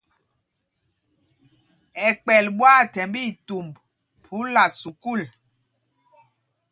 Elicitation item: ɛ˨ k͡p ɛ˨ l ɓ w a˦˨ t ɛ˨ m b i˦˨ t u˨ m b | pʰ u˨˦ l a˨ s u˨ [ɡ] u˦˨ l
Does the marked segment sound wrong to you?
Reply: yes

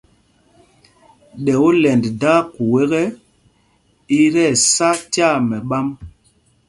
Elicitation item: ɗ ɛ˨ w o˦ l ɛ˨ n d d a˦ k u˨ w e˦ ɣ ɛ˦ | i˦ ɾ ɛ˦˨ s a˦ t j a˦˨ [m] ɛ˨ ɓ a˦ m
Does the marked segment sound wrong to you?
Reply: no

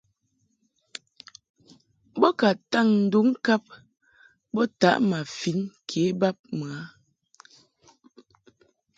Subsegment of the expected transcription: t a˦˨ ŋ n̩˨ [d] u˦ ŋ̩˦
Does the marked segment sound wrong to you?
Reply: no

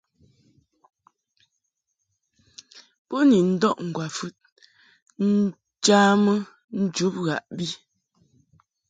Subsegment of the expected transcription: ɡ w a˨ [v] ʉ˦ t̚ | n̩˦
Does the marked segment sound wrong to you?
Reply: yes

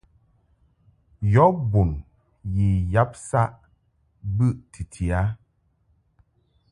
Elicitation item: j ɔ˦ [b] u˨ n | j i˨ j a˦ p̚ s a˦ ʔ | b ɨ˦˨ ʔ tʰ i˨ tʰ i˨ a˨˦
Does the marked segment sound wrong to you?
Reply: no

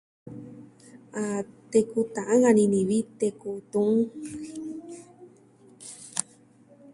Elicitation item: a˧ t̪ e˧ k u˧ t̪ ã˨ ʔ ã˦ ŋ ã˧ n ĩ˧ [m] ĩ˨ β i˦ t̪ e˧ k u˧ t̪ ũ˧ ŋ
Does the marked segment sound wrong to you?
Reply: yes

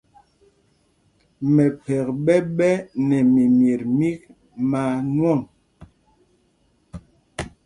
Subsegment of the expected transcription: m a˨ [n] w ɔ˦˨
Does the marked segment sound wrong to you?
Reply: no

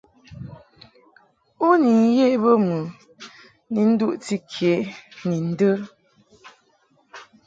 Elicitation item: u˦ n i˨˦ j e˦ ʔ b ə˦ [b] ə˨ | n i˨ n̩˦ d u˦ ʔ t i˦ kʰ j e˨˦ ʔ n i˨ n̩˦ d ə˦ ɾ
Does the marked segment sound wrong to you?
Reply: yes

